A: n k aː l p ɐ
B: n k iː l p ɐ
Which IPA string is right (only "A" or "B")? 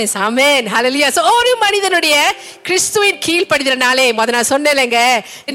B